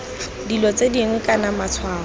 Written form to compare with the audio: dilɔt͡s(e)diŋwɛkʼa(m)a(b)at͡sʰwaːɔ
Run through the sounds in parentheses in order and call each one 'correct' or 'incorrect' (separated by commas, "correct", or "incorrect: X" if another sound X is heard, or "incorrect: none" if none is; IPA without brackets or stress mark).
correct, incorrect: n, incorrect: m